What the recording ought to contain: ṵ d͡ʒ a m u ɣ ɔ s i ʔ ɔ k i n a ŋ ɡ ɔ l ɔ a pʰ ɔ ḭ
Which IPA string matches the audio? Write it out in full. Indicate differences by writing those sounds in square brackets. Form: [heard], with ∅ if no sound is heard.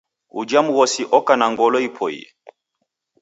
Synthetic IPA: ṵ d͡ʒ a m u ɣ ɔ s i ʔ ɔ k [a] n a ŋ ɡ ɔ l ɔ [i] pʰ ɔ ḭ